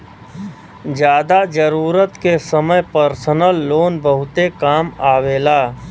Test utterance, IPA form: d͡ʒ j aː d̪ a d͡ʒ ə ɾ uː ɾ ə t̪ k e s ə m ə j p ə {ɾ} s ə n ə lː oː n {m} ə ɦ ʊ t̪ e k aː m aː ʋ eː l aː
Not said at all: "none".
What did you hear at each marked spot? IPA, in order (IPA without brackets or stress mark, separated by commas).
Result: ɾ, b